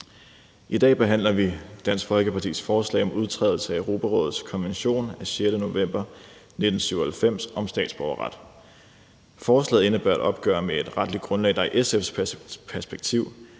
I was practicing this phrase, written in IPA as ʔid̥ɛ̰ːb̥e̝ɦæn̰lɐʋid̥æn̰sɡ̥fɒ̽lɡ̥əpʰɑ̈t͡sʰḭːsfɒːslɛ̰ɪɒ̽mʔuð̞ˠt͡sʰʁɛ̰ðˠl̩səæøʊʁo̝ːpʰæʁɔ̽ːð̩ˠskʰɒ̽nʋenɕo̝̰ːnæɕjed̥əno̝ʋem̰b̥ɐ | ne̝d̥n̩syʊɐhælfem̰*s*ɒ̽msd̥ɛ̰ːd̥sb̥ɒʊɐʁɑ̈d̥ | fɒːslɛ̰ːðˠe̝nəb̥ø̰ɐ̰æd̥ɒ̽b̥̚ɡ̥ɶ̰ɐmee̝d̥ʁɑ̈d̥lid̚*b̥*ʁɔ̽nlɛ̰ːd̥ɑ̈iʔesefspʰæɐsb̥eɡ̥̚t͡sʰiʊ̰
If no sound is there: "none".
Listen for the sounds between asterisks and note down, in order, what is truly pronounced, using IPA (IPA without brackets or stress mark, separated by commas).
s, ɡ̥